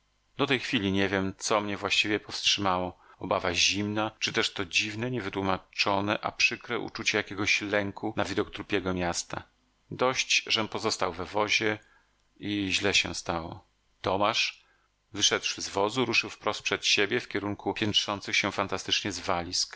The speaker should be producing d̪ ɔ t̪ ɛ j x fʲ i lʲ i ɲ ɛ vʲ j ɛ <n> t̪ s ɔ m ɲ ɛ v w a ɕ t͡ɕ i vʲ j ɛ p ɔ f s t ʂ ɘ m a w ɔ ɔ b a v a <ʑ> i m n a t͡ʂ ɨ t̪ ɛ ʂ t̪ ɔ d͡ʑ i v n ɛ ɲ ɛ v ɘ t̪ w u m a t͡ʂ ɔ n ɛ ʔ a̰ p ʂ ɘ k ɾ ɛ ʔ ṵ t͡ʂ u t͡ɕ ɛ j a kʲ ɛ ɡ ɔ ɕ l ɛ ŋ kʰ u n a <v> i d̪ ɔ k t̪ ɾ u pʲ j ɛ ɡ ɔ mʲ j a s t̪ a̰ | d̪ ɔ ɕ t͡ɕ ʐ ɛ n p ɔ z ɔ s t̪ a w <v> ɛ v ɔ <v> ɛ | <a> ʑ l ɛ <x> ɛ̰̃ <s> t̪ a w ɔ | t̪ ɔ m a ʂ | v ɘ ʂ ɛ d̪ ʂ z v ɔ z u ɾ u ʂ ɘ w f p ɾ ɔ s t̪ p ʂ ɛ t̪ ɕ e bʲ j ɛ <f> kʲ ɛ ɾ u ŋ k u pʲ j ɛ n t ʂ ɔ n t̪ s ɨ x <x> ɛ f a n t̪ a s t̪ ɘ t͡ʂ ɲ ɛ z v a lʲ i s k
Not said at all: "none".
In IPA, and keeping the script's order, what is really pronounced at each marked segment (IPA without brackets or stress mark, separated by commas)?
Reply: m, ʑ, v, v, ʑ, i, ɕ, s, f, ɕ